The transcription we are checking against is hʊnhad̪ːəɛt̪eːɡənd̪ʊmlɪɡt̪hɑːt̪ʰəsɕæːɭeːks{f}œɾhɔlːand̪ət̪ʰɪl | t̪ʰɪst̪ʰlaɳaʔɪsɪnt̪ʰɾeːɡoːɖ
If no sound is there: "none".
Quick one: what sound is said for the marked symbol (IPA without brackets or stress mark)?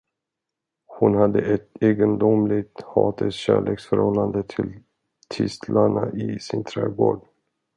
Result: f